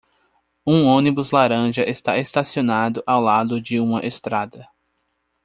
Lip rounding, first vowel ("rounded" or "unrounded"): rounded